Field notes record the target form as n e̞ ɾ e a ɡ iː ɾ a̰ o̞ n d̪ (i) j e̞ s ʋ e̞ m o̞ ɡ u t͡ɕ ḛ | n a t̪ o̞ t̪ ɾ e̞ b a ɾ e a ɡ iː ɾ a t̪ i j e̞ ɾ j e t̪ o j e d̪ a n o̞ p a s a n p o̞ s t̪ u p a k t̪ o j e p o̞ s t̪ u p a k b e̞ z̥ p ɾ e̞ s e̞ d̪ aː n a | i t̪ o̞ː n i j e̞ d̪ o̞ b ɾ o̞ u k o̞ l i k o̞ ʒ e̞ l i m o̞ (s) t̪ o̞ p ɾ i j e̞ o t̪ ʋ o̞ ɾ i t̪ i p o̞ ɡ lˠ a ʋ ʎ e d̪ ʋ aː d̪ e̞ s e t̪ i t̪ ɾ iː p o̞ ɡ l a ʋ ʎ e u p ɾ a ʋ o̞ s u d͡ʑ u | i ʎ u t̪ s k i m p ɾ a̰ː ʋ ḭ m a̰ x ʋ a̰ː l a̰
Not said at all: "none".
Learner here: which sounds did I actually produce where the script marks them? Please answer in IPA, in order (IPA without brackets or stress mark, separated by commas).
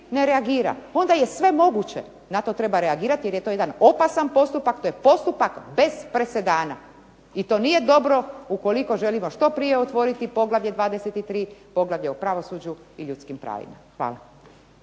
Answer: a, ʃ